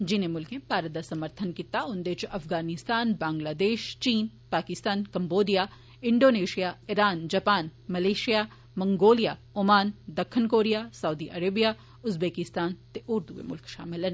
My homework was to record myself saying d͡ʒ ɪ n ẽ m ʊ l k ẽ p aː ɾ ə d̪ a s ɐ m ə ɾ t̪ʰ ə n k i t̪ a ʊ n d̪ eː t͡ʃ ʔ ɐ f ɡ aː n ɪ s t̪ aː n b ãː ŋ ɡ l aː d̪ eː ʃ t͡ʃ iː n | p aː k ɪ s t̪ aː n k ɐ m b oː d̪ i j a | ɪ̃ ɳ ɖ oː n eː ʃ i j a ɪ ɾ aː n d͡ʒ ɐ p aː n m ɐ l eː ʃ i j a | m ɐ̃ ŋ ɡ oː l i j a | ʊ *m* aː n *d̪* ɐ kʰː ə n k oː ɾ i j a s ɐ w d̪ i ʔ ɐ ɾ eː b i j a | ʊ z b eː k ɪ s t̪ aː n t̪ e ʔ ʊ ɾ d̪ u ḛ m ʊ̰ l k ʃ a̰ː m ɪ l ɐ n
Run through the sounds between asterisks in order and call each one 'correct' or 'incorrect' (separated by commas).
correct, correct